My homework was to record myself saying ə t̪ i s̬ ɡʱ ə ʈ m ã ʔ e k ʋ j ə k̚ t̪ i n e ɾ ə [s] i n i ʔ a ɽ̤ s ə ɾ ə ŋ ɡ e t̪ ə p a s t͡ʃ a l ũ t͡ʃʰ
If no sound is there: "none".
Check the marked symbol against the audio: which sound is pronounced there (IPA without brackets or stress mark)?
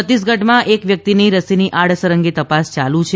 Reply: s